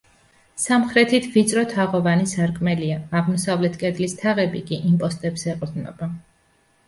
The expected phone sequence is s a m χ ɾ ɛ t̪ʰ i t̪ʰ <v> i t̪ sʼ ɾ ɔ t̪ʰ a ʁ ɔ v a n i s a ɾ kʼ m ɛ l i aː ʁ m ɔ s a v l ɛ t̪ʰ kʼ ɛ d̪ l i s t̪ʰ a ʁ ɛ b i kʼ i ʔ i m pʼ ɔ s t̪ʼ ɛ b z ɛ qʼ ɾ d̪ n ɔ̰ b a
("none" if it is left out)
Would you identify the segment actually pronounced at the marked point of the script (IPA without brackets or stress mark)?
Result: v